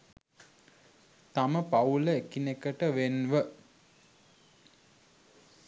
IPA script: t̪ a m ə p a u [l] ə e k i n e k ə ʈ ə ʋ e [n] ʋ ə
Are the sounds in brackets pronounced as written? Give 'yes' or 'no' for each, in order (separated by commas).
yes, yes